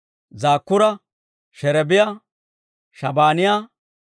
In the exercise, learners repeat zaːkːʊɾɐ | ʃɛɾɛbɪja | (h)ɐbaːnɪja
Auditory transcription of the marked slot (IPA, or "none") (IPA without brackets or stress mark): ʃ